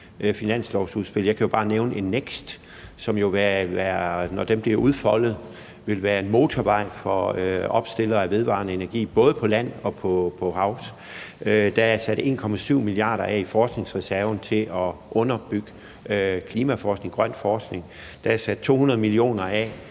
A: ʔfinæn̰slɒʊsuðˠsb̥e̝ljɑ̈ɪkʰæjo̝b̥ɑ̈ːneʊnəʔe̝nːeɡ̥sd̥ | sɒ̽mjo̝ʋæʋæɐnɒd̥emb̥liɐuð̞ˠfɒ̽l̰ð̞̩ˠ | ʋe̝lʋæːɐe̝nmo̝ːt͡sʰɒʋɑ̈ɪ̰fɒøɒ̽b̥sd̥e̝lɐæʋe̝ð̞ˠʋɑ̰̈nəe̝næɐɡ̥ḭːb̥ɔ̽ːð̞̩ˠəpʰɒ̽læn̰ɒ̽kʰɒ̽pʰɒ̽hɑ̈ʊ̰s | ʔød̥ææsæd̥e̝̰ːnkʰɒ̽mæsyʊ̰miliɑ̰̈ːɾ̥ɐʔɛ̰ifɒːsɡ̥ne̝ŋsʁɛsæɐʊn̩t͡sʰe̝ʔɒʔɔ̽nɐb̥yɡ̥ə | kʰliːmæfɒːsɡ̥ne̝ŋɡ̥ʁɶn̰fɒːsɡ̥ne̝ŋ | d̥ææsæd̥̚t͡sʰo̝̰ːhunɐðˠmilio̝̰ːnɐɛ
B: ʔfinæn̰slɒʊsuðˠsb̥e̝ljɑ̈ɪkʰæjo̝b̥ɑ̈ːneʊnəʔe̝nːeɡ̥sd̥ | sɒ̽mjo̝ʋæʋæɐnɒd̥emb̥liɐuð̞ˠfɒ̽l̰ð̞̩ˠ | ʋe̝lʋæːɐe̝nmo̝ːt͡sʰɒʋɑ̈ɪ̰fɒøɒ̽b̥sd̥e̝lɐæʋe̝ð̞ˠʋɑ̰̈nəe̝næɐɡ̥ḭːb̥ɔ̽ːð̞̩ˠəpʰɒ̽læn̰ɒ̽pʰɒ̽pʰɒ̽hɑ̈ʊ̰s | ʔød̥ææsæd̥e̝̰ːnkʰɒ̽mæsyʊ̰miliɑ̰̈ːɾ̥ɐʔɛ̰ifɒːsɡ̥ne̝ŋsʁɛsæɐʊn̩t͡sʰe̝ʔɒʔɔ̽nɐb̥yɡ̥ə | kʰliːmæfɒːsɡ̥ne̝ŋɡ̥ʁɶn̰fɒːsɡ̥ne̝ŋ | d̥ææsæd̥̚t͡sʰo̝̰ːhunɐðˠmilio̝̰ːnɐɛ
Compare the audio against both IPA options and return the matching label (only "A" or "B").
B